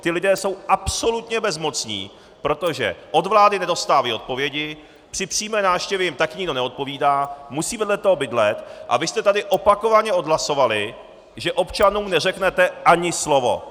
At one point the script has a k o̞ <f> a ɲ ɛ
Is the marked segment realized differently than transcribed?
yes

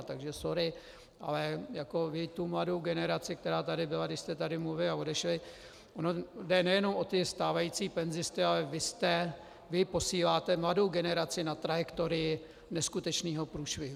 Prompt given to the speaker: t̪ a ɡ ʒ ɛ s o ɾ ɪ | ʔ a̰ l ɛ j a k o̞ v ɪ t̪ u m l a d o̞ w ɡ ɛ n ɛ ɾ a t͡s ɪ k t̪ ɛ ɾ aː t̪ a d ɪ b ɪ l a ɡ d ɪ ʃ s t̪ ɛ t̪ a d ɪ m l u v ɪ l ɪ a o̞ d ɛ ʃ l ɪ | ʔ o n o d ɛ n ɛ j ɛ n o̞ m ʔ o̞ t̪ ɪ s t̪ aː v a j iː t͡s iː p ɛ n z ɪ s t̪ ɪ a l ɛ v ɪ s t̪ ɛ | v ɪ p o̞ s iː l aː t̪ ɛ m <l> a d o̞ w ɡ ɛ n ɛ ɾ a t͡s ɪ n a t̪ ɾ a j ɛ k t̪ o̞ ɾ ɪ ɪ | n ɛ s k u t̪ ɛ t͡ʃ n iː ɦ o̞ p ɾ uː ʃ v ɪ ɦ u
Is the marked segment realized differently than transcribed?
no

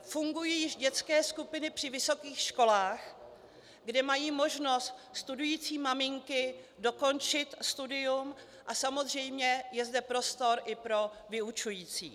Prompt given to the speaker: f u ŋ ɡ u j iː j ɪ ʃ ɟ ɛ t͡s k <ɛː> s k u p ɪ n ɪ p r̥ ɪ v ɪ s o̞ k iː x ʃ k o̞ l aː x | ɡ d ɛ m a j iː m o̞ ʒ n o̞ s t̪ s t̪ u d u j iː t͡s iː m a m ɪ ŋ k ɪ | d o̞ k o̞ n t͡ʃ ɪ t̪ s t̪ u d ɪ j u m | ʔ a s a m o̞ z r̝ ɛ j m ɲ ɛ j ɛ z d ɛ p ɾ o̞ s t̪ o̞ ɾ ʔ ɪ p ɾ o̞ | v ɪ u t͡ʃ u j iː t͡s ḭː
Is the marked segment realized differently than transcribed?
no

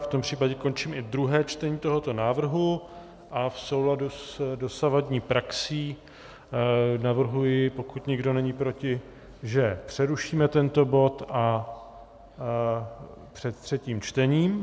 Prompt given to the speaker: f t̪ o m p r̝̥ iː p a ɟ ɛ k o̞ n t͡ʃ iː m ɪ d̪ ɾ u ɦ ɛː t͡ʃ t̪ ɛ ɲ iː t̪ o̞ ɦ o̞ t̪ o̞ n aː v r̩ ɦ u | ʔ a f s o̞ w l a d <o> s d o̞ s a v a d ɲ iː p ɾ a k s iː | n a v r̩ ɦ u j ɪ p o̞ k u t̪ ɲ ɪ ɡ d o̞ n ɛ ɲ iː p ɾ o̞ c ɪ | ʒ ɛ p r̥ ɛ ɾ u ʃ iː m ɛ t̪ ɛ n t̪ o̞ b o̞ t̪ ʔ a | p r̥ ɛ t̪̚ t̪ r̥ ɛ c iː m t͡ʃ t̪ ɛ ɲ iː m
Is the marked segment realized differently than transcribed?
yes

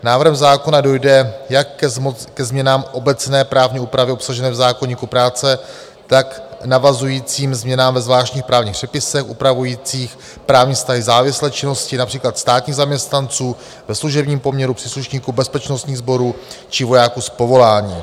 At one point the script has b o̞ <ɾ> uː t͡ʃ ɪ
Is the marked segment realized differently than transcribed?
no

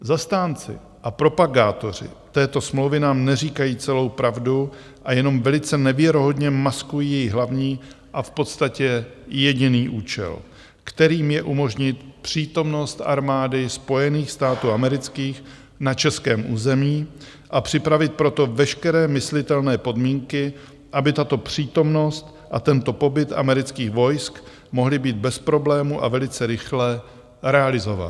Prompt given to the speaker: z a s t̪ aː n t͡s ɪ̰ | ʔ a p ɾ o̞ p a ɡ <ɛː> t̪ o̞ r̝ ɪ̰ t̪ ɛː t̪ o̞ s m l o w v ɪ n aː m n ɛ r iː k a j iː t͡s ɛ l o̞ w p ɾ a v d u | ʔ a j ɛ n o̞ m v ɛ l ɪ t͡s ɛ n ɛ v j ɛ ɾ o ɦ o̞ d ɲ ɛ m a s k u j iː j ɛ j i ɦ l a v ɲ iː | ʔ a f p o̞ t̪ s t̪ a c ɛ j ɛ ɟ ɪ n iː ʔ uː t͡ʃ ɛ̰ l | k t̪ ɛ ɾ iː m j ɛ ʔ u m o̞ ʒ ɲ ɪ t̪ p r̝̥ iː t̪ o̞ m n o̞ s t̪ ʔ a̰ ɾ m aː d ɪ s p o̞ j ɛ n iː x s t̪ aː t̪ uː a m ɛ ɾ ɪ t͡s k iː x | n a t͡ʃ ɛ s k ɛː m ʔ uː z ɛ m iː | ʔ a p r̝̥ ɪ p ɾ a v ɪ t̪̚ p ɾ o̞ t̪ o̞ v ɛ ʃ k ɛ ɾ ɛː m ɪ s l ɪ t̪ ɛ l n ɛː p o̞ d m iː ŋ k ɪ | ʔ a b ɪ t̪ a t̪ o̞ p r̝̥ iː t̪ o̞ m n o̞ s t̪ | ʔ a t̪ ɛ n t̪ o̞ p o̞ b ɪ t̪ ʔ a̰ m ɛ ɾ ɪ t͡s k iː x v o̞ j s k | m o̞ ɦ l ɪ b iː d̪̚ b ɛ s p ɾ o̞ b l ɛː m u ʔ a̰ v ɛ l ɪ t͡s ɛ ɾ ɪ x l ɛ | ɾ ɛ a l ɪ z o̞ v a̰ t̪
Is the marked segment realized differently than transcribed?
yes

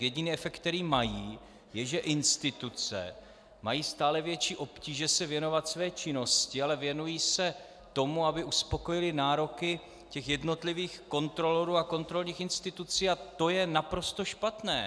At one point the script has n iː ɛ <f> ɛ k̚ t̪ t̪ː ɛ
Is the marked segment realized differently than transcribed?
no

